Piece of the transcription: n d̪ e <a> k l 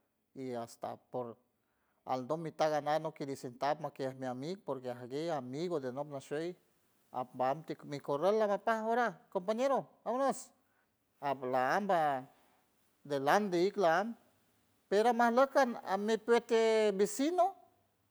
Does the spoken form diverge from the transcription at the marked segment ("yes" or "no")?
yes